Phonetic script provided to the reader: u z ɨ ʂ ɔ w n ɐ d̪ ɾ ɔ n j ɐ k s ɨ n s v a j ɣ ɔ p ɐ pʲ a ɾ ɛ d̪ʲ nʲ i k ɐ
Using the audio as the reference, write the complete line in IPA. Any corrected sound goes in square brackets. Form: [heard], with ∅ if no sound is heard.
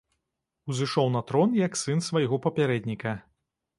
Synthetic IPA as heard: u z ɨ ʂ ɔ w n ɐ [t̪] ɾ ɔ n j ɐ k s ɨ n s v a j ɣ ɔ p ɐ pʲ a ɾ ɛ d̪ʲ nʲ i k ɐ